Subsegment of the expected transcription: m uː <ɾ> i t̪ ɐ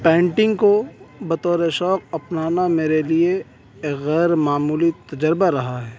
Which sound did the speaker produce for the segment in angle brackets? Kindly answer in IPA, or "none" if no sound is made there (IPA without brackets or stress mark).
l